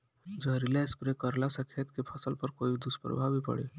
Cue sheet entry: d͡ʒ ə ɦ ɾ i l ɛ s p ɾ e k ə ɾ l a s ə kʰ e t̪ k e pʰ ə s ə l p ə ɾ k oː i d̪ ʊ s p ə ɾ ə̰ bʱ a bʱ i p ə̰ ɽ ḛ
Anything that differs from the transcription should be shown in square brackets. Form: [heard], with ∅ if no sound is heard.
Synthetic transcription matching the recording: d͡ʒ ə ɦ ɾ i l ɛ s p ɾ e k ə ɾ l a s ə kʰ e t̪ k e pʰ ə s ə l p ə ɾ k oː i d̪ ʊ s p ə ɾ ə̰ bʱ a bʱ i p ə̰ ɽ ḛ

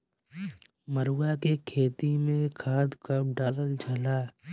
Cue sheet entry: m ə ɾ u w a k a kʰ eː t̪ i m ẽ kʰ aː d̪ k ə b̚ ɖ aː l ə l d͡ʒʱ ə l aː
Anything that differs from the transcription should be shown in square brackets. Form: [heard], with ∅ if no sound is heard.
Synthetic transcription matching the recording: m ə ɾ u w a k [e] kʰ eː t̪ i m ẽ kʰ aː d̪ k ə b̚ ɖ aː l ə l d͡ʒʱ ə l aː

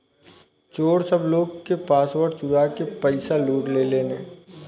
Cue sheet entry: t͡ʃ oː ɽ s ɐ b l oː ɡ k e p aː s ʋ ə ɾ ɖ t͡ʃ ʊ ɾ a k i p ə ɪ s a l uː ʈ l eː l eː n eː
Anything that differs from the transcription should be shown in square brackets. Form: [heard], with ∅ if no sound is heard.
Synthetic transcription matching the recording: t͡ʃ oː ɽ s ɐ b l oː ɡ k e p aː s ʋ ə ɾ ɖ t͡ʃ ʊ ɾ a k [e] p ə ɪ s a l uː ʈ l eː l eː n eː

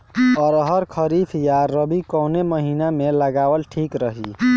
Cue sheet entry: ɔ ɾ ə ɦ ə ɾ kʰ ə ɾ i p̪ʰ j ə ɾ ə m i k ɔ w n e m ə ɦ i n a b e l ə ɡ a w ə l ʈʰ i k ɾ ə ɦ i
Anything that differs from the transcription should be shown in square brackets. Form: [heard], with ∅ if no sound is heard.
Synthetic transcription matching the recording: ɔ ɾ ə ɦ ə ɾ kʰ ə ɾ i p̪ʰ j [a] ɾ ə [b] i k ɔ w n e m ə ɦ i n a [m] e l ə ɡ a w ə l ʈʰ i k ɾ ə ɦ i

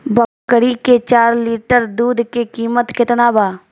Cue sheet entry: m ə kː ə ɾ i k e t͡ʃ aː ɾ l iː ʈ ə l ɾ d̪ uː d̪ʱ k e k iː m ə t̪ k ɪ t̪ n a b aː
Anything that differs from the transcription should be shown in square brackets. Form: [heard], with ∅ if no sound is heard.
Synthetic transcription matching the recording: [b] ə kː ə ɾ i k e t͡ʃ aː ɾ l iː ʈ ə [∅] ɾ d̪ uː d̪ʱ k e k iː m ə t̪ k ɪ t̪ n a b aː

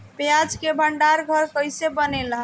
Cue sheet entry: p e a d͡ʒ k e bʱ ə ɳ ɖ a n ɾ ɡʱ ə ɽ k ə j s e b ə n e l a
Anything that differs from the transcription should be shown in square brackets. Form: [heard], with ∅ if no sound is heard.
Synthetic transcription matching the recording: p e a d͡ʒ k e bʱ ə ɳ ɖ a [∅] ɾ ɡʱ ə [ɾ] k ə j s e b ə n e l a

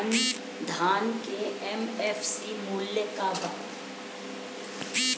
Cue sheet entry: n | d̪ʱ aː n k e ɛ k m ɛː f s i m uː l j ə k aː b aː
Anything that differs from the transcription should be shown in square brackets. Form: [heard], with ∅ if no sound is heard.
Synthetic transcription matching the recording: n | d̪ʱ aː n k e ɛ [∅] m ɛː f s i m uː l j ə k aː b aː

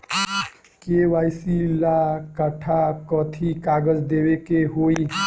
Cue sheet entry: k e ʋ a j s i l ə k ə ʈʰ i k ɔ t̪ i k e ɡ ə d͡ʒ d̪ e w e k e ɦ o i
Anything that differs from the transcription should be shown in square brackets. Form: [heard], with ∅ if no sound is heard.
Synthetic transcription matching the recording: k e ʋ a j s i l [a] k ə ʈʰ [a] k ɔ [t̪ʰ] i k [a] ɡ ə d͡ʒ d̪ e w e k e ɦ o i

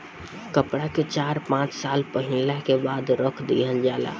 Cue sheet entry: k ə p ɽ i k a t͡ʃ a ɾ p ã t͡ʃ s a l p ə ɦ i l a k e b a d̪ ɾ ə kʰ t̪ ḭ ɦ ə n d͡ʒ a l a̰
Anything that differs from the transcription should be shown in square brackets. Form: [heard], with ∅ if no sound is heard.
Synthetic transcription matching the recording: k ə p ɽ [a] k [e] t͡ʃ a ɾ p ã t͡ʃ s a l p ə ɦ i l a k e b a d̪ ɾ ə kʰ [d̪] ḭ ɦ ə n d͡ʒ a l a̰

